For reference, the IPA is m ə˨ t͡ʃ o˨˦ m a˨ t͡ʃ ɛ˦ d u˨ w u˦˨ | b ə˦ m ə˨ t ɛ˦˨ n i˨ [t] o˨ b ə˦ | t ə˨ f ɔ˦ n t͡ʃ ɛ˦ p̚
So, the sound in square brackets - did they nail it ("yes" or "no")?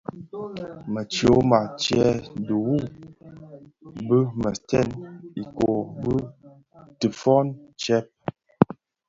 no